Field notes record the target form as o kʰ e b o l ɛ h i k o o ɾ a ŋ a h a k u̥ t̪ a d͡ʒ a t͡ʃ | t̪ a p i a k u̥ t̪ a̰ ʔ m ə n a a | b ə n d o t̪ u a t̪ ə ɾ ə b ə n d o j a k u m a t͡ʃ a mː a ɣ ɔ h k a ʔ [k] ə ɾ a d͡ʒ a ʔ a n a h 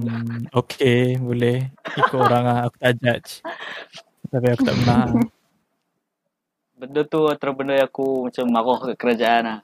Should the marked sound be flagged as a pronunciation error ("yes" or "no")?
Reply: no